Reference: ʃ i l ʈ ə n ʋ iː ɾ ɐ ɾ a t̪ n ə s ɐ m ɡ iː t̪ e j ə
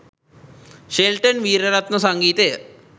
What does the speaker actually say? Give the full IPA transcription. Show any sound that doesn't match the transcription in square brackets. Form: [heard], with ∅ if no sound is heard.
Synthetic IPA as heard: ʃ [e] l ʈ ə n ʋ iː ɾ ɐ ɾ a t̪ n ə s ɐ [ŋ] ɡ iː t̪ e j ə